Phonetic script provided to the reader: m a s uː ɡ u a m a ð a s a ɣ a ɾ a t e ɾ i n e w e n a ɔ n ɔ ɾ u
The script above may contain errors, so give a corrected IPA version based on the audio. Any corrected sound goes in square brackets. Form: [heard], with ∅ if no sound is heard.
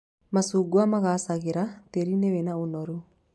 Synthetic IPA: m a s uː ɡ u a m a [ɣ] a s a ɣ [e] ɾ a t e ɾ i n e w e n a [o] n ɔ ɾ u